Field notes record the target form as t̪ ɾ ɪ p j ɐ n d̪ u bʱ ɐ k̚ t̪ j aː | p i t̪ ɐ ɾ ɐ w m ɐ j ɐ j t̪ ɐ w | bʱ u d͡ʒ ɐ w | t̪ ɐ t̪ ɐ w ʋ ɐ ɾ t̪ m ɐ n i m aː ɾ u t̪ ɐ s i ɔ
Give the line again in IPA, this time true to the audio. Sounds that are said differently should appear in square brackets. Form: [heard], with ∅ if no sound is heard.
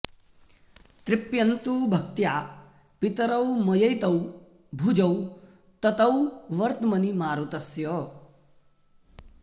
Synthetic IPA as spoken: t̪ ɾ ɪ p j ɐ n [t̪] u bʱ ɐ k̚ t̪ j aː | p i t̪ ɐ ɾ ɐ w m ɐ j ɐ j t̪ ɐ w | bʱ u d͡ʒ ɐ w | t̪ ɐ t̪ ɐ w ʋ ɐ ɾ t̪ m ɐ n i m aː ɾ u t̪ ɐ s [j] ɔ